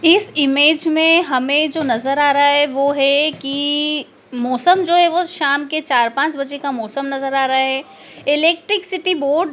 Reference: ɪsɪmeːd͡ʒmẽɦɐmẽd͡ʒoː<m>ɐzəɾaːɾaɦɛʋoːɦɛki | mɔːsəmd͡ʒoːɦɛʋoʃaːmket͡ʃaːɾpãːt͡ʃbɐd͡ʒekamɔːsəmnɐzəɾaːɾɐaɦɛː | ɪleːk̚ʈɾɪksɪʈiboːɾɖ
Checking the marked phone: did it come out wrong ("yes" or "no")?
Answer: yes